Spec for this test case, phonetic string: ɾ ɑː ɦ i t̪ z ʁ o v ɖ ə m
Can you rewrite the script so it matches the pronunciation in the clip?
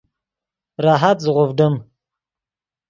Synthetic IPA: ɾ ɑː ɦ a t̪ z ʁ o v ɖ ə m